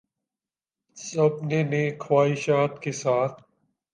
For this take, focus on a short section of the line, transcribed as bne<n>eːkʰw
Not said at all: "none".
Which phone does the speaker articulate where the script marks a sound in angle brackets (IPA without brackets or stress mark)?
n